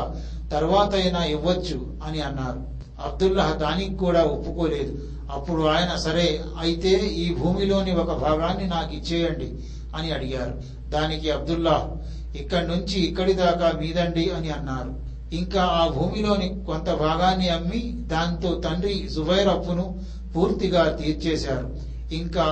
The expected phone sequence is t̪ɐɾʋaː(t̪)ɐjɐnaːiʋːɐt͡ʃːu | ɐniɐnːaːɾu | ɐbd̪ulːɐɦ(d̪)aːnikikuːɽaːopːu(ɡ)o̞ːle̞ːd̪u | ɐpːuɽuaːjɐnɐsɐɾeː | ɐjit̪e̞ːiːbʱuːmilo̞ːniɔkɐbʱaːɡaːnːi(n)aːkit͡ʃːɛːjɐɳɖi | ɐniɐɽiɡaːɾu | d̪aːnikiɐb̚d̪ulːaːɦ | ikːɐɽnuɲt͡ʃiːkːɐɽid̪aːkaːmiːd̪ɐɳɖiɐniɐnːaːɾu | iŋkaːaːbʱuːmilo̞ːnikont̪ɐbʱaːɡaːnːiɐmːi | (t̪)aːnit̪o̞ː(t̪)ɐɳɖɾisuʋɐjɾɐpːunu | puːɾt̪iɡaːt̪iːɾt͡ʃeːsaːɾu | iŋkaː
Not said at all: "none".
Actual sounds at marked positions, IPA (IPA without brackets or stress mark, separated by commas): t̪, d̪, k, n, d̪, t̪